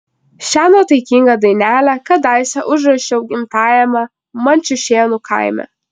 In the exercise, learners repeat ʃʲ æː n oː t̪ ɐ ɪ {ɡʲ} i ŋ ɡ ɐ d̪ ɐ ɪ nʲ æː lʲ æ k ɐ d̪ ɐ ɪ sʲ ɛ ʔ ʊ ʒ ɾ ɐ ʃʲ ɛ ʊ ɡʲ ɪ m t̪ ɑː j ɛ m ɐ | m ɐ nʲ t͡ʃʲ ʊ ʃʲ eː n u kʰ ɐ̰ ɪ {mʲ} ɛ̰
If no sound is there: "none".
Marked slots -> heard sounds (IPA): kʲ, mʲ

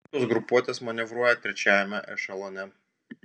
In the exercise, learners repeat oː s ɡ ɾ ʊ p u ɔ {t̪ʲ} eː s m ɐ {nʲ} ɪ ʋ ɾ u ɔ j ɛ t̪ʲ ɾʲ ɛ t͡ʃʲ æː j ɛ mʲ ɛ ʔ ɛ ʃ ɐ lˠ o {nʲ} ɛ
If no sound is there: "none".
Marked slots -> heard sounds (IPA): t̪ʲ, nʲ, nʲ

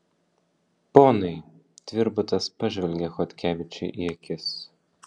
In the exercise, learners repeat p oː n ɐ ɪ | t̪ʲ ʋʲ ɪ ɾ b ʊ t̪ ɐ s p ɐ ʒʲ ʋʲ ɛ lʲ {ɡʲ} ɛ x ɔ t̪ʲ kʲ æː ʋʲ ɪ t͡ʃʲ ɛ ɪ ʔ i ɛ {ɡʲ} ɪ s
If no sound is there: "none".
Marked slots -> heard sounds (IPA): ɡʲ, kʲ

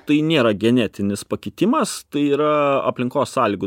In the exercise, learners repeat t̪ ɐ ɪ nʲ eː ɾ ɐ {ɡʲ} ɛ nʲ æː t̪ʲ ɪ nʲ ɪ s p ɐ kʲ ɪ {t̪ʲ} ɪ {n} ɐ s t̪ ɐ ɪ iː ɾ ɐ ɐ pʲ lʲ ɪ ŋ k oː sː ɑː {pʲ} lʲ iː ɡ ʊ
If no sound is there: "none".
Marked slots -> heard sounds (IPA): ɡʲ, t̪ʲ, m, none

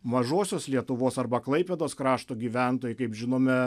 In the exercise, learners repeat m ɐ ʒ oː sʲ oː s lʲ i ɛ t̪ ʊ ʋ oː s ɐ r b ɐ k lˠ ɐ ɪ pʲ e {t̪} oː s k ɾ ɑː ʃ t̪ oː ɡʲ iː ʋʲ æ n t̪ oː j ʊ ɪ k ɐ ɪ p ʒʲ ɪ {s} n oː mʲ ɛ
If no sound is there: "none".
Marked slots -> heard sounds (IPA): d̪, none

